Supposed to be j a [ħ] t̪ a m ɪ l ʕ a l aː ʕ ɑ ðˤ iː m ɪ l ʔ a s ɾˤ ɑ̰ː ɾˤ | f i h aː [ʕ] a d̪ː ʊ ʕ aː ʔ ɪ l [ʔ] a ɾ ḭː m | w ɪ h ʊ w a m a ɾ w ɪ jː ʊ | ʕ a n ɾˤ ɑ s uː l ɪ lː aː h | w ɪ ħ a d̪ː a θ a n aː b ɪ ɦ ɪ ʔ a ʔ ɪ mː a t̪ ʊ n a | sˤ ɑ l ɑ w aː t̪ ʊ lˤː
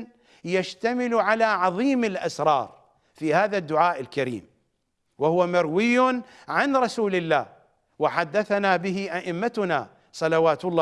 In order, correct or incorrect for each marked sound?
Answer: incorrect, incorrect, incorrect

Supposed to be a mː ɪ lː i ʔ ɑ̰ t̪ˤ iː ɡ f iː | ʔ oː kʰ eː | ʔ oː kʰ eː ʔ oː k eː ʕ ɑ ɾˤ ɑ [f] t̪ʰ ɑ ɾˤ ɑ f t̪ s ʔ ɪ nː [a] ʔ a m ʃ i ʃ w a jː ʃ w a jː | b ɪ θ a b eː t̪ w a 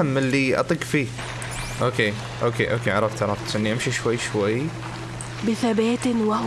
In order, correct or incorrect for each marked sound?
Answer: correct, incorrect

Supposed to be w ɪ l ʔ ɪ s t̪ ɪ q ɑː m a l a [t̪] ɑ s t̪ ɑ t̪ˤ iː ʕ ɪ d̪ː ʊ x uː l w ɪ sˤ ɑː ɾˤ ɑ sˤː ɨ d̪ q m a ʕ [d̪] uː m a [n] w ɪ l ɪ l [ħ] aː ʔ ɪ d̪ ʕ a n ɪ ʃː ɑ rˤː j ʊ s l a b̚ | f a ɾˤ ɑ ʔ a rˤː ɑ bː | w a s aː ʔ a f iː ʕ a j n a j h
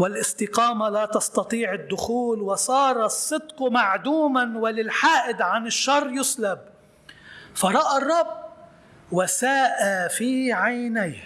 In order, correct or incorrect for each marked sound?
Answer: correct, correct, correct, correct

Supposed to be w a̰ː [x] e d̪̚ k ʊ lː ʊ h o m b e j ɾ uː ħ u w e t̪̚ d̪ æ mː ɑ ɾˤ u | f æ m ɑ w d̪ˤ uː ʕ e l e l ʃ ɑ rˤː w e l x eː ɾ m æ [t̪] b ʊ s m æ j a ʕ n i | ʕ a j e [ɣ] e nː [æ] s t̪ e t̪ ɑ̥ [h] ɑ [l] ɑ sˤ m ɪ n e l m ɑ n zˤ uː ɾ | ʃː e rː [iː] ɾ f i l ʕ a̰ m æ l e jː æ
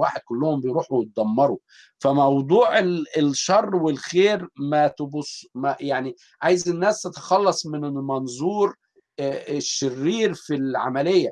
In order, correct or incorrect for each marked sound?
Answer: incorrect, correct, incorrect, incorrect, incorrect, incorrect, correct

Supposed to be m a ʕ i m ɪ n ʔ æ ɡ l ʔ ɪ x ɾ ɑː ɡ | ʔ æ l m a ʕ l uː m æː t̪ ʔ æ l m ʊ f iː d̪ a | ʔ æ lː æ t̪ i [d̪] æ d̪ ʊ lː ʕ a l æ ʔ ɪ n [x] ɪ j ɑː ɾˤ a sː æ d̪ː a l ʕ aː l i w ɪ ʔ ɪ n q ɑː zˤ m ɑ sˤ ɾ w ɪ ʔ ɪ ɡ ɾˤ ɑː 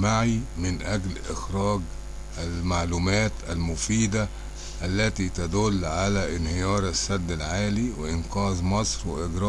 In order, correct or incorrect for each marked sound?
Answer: incorrect, incorrect

